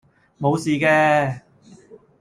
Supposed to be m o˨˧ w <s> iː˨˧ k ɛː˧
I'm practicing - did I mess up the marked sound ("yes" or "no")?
no